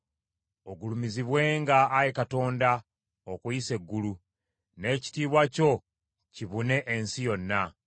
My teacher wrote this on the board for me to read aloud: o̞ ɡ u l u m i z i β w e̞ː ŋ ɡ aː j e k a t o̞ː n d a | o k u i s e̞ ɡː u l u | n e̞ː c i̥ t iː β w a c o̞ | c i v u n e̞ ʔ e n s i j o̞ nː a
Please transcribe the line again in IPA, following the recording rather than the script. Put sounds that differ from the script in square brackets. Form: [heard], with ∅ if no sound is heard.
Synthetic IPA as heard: o̞ ɡ u l u m i z i β w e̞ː ŋ ɡ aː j e k a t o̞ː n d a | o k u i s e̞ ɡː u l u | n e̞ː c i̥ t iː β w a c o̞ | c i [β] u n e̞ ʔ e n s i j o̞ nː a